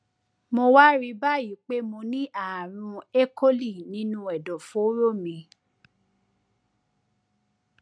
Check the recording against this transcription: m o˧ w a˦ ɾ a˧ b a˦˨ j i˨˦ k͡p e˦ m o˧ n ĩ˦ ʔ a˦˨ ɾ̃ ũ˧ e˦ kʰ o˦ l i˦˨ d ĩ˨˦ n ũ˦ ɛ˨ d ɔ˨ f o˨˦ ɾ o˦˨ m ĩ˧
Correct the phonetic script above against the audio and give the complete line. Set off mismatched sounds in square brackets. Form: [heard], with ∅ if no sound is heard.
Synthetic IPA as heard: m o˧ w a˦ ɾ [i˧] b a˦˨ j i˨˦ k͡p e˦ m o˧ n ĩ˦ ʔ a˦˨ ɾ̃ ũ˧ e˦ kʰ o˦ l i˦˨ [n] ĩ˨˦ n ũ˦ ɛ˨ d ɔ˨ f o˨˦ ɾ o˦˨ m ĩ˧